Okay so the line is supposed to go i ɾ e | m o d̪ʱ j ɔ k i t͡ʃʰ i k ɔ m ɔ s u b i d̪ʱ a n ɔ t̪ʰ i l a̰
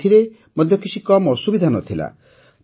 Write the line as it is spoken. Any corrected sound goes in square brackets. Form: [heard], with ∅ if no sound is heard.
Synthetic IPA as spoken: i ɾ e | m [ɔ] d̪ʱ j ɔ k i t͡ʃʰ i k ɔ m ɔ s u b i d̪ʱ a n ɔ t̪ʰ i l a̰